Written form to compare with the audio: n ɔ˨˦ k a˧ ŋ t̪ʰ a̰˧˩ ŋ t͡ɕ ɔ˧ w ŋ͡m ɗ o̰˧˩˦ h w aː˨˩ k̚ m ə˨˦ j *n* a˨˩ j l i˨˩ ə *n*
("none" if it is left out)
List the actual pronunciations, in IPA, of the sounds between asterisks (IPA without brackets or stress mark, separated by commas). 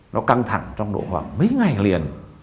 ŋ, n